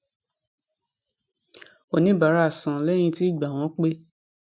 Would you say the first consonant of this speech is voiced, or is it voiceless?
voiced